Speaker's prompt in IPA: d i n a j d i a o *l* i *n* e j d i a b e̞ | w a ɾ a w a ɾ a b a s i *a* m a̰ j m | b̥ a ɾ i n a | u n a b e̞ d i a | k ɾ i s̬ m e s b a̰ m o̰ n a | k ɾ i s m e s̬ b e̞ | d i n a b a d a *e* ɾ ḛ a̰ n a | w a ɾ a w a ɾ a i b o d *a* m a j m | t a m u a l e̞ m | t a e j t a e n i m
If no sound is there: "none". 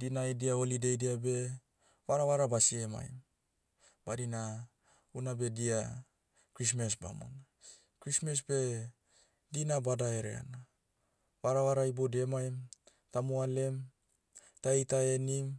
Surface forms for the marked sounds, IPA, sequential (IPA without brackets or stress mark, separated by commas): l, d, e, e, e